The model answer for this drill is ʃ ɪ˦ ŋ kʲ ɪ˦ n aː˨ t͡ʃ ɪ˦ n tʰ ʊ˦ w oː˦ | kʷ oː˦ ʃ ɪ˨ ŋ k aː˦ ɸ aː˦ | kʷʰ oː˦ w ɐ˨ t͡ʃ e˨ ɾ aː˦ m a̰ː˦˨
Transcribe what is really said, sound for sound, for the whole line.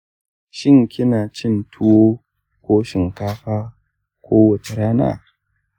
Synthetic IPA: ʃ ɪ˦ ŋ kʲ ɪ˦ n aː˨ t͡ʃ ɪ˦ n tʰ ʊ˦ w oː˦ | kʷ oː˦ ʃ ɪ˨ ŋ k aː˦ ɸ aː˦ | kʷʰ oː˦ w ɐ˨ t͡ʃ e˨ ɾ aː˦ n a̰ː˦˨

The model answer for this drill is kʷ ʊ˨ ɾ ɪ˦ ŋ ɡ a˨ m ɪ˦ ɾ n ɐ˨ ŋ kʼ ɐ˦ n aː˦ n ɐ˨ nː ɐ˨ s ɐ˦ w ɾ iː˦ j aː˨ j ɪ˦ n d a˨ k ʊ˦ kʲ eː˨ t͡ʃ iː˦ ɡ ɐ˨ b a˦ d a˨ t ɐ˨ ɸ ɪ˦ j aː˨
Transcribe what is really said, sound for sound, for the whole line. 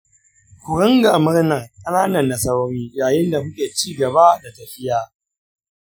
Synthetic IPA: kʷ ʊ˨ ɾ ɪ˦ ŋ ɡ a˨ m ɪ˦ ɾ n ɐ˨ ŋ kʼ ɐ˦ n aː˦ n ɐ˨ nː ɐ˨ s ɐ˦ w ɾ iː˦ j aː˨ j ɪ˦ n d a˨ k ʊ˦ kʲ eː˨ t͡ʃ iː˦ ɡ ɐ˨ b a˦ d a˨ t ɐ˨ ɸ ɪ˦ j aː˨

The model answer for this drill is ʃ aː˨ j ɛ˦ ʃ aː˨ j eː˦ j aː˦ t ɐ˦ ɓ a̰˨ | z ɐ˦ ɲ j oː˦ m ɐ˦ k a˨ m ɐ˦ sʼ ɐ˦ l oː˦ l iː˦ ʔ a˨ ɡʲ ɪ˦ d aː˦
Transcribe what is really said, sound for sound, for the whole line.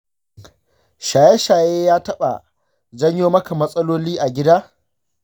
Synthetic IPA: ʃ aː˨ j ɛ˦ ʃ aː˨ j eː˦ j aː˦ t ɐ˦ ɓ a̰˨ | z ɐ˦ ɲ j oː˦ m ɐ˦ k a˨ m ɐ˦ sʼ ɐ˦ l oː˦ l iː˦ ʔ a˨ ɡʲ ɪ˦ d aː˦

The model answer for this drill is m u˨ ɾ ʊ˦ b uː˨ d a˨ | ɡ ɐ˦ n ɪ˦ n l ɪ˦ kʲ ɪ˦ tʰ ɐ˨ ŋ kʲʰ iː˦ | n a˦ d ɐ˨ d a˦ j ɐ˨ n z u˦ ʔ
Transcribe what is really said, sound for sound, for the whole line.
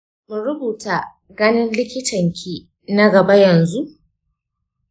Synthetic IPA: m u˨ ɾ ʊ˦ b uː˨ t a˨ | ɡ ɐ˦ n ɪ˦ n l ɪ˦ kʲ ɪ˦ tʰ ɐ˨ ŋ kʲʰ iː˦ | n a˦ ɡ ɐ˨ b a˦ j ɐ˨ n z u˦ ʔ

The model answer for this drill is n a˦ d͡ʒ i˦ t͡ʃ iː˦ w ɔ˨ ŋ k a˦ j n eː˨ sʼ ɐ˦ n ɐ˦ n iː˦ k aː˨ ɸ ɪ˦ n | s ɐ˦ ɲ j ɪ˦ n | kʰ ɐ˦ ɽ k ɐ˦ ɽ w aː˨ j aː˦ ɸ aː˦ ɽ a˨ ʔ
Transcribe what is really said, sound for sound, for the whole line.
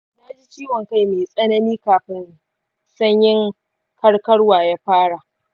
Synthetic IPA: n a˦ d͡ʒ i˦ t͡ʃ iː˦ w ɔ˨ ŋ k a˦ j m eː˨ sʼ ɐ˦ n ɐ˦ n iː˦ k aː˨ ɸ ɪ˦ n | s ɐ˦ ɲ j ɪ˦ ŋ | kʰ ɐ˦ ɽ k ɐ˦ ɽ w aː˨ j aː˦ ɸ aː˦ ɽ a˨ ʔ

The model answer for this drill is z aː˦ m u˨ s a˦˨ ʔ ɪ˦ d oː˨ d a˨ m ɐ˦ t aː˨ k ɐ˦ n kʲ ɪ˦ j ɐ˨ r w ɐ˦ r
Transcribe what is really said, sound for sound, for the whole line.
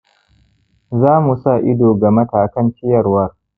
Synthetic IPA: z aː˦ m u˨ s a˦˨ ʔ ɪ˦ d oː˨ ɡ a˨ m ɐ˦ t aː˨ k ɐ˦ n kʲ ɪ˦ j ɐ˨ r w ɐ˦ r

